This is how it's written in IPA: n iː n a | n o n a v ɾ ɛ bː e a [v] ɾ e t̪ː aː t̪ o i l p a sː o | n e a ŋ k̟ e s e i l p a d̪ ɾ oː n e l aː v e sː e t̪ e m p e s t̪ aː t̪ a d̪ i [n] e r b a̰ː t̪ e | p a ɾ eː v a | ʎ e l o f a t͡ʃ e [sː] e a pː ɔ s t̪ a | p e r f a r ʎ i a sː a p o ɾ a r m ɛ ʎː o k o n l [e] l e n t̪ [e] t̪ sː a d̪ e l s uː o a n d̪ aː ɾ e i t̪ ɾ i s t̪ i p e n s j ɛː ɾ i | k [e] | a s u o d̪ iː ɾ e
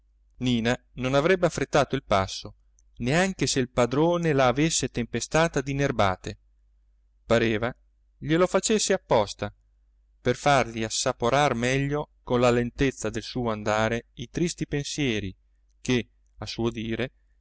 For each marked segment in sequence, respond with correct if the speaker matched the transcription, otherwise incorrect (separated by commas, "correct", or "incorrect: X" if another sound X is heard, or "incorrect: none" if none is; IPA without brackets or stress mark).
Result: incorrect: f, correct, correct, incorrect: a, correct, correct